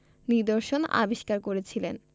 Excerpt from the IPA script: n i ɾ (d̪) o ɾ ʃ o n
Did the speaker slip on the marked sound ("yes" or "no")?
no